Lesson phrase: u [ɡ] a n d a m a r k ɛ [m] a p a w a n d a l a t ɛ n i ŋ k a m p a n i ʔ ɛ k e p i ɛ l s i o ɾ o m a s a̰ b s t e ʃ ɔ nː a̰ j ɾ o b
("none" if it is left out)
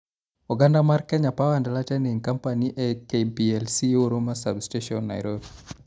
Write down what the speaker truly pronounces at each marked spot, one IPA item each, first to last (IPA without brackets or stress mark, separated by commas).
ɡ, ɲ